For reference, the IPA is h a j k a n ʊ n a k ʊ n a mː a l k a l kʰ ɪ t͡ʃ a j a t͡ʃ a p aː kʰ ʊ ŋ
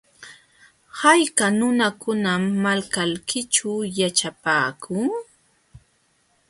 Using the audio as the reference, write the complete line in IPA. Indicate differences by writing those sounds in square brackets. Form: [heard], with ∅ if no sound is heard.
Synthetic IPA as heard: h a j k a n ʊ n a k ʊ n a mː a l k a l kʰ ɪ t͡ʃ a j a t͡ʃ a p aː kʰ ʊ ŋ